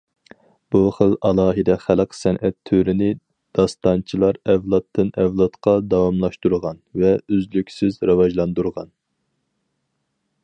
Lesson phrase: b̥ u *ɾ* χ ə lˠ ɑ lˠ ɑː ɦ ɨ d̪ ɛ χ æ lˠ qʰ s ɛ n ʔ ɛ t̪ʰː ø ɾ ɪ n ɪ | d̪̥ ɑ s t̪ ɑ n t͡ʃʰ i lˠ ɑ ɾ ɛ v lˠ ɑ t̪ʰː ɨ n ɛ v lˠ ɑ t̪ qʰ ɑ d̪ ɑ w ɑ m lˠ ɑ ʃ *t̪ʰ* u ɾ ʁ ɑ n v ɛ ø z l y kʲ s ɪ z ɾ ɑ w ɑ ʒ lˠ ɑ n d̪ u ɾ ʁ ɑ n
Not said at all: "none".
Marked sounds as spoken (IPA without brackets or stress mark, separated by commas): none, t̪